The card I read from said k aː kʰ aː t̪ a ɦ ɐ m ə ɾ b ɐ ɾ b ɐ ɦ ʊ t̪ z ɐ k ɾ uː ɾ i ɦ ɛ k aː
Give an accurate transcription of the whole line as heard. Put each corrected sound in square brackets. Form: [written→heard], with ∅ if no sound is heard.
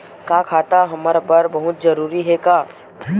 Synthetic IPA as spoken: k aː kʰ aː t̪ a ɦ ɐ m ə ɾ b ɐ ɾ b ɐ ɦ ʊ t̪ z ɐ [k→∅] ɾ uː ɾ i ɦ ɛ k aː